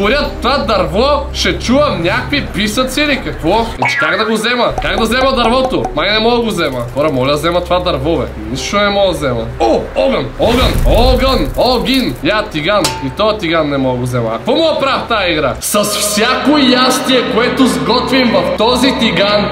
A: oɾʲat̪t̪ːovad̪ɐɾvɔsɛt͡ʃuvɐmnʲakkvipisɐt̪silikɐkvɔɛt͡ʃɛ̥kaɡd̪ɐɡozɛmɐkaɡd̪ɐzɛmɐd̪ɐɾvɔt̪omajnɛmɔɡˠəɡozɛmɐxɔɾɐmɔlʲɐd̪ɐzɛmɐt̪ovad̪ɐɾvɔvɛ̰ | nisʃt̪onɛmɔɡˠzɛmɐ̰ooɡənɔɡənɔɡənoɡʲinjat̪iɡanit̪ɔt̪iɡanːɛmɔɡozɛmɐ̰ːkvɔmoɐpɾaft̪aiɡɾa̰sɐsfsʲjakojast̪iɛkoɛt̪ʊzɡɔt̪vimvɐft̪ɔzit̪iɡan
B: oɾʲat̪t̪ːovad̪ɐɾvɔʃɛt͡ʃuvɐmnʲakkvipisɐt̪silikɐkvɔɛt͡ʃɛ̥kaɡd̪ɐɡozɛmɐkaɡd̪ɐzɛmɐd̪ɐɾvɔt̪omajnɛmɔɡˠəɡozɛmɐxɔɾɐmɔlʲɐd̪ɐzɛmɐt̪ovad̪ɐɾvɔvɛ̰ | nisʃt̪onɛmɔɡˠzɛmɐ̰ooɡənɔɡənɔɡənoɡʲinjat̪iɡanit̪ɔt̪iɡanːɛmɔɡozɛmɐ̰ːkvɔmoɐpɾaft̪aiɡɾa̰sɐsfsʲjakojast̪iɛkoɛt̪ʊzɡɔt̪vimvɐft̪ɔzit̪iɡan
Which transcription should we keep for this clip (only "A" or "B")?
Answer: B